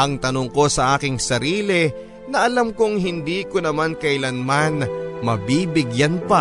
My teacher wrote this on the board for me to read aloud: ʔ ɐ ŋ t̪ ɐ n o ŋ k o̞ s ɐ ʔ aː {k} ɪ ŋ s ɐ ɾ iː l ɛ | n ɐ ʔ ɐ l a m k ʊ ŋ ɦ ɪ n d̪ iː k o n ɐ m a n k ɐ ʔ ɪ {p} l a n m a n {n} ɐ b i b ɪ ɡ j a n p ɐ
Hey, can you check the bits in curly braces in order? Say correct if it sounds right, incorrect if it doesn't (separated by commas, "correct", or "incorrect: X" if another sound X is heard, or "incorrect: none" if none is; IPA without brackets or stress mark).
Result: correct, incorrect: none, incorrect: m